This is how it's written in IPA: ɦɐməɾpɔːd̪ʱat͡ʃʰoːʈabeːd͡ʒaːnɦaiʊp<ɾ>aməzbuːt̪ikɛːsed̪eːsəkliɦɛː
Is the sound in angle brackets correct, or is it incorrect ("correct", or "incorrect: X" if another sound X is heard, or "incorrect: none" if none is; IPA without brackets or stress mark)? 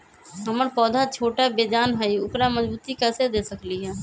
correct